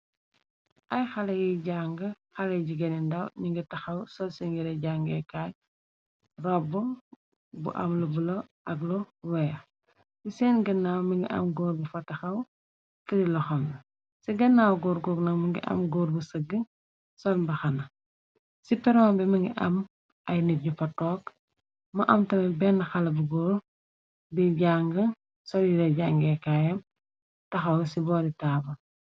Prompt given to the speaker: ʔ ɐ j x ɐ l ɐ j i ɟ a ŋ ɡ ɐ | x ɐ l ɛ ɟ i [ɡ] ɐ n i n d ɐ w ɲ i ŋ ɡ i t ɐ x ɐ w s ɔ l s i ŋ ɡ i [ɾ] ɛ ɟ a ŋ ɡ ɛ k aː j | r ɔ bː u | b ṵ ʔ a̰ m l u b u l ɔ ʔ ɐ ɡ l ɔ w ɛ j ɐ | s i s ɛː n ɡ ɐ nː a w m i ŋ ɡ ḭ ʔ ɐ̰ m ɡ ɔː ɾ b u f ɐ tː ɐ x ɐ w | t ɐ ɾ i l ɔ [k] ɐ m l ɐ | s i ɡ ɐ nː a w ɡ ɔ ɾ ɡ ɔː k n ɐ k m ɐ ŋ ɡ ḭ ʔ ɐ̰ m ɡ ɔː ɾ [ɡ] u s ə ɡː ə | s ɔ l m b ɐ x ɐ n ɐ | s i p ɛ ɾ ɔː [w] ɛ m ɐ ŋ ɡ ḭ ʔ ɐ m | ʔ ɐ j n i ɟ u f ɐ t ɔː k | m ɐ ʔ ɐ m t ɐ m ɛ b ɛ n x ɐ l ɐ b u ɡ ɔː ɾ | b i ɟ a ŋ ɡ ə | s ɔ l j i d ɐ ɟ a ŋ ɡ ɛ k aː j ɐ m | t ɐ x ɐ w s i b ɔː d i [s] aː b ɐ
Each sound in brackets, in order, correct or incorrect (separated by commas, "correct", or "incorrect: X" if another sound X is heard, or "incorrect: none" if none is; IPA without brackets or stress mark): correct, correct, incorrect: x, incorrect: b, incorrect: b, incorrect: t